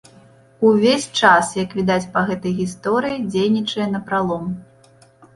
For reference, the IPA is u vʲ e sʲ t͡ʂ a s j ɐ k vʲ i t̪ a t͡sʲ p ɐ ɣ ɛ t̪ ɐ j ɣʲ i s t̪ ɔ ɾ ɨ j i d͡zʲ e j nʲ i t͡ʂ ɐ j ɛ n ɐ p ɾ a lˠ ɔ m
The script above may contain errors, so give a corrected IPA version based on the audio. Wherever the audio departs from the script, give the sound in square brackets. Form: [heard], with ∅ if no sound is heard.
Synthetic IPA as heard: u vʲ e sʲ t͡ʂ a s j ɐ k vʲ i [d̪] a t͡sʲ p ɐ ɣ ɛ t̪ ɐ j ɣʲ i s t̪ ɔ ɾ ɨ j i d͡zʲ e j nʲ i t͡ʂ ɐ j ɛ n ɐ p ɾ a lˠ ɔ m

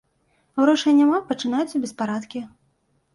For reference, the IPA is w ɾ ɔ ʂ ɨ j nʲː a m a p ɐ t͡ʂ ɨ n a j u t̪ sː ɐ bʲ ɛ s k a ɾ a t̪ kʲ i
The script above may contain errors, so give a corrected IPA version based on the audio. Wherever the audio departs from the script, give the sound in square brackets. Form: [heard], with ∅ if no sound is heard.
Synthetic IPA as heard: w ɾ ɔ ʂ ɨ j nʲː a m a p ɐ t͡ʂ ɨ n a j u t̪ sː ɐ bʲ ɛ s [p] a ɾ a t̪ kʲ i

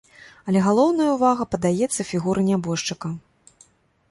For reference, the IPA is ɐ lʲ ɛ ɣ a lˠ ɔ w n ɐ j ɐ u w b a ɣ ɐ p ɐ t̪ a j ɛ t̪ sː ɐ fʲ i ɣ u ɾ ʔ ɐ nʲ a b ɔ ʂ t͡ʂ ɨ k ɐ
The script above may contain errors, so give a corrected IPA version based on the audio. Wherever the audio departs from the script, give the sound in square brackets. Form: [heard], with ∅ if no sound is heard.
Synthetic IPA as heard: ɐ lʲ ɛ ɣ a lˠ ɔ w n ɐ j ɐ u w [v] a ɣ ɐ p ɐ [d̪] a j ɛ t̪ sː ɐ fʲ i ɣ u ɾ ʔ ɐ nʲ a b ɔ ʂ t͡ʂ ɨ k ɐ

